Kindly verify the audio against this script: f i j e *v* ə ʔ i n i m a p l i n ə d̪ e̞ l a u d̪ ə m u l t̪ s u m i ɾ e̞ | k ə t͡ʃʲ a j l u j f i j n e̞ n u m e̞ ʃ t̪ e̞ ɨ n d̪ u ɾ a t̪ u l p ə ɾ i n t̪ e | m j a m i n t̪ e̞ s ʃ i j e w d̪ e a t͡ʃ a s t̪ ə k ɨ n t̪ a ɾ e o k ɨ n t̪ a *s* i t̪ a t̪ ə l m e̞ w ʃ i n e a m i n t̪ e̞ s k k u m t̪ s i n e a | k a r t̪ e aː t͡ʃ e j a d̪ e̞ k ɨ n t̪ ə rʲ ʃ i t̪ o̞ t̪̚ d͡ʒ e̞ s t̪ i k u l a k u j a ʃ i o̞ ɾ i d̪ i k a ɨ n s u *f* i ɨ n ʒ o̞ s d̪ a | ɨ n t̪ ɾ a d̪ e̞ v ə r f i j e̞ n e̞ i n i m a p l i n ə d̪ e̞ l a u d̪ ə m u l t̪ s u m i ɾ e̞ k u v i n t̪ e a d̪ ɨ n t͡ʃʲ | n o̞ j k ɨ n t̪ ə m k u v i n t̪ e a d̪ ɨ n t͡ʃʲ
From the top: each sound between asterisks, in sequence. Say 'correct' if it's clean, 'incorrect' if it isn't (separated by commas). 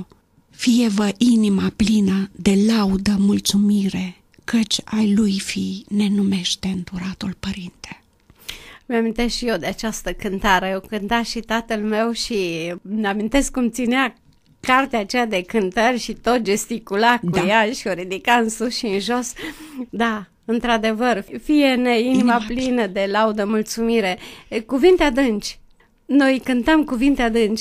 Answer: correct, incorrect, incorrect